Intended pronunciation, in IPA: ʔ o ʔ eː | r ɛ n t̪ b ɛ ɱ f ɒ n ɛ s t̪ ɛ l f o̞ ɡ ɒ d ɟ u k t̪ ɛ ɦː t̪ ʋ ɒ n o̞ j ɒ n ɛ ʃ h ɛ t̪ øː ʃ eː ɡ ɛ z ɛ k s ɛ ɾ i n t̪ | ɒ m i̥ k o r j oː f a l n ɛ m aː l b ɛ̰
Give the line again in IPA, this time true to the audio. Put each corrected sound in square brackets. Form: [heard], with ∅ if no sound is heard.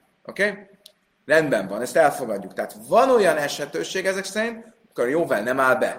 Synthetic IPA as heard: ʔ o [k] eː | r ɛ n [d̪] b ɛ ɱ [v] ɒ n ɛ s t̪ ɛ l f o̞ ɡ ɒ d [ɟː] u k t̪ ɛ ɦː t̪ [v] ɒ n o̞ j ɒ n ɛ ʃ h ɛ t̪ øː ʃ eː ɡ ɛ z ɛ k s ɛ ɾ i n t̪ | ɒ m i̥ k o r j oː [v] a l n ɛ m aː l b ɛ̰